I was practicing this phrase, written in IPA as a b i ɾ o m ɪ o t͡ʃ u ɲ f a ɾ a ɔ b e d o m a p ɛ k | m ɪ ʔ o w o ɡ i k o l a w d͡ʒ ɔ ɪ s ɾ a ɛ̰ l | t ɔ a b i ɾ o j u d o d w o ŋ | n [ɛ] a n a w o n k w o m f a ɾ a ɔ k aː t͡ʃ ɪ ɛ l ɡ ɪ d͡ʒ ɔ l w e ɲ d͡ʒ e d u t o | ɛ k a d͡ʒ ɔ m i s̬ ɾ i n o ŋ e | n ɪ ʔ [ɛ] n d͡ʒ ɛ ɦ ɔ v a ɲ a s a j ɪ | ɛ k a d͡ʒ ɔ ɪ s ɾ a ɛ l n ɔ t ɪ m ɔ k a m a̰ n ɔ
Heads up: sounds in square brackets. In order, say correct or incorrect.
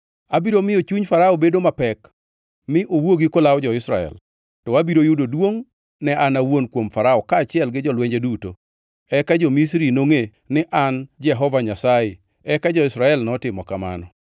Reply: correct, incorrect

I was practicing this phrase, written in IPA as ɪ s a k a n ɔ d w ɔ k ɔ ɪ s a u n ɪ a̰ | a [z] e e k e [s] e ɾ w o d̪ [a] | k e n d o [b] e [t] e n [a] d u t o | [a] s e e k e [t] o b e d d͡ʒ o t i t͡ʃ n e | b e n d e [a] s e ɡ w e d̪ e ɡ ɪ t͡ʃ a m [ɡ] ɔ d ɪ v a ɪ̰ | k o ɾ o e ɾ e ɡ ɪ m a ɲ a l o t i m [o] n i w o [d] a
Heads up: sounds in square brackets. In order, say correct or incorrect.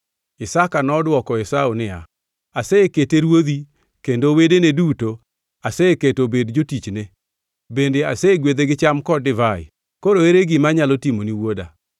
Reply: incorrect, incorrect, incorrect, incorrect, incorrect, incorrect, correct, correct, correct, incorrect, correct, correct

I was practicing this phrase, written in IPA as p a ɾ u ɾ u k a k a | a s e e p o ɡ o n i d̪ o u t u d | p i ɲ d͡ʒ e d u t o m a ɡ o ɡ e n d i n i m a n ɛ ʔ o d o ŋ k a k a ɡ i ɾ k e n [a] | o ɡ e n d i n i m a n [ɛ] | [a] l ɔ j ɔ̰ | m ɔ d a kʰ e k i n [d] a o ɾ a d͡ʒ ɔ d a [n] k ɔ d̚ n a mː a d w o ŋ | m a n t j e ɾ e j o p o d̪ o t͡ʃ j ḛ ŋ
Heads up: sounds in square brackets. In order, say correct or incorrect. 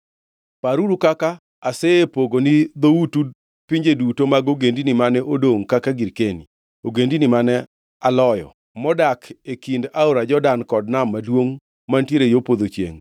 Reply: incorrect, correct, correct, correct, correct

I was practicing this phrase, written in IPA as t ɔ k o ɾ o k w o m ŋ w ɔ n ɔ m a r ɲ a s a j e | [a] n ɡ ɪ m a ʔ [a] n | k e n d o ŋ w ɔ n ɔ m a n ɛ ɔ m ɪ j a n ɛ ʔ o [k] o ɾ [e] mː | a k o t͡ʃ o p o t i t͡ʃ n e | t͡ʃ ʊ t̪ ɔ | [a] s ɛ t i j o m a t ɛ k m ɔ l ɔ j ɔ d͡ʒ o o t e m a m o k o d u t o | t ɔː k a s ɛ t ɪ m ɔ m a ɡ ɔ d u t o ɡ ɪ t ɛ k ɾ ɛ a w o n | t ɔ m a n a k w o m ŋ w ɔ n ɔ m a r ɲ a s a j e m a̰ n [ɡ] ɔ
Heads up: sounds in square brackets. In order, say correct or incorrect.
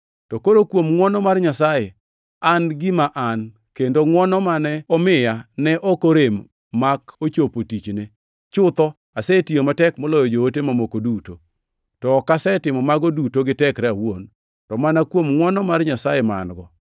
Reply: correct, correct, correct, correct, correct, correct

